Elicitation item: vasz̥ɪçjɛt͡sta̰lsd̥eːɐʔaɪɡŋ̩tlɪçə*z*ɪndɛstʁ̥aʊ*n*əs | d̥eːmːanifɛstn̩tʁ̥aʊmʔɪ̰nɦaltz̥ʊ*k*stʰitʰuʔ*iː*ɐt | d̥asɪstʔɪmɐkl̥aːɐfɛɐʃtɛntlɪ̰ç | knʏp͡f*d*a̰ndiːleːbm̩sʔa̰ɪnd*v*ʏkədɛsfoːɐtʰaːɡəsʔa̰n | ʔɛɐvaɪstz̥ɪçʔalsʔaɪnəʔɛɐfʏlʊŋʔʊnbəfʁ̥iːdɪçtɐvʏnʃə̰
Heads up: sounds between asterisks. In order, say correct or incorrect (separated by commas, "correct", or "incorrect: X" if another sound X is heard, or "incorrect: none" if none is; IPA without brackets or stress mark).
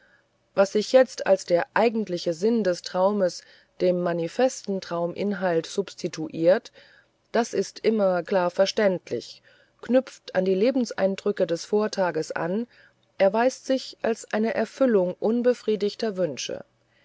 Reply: correct, incorrect: m, incorrect: p, correct, incorrect: t, incorrect: ʁ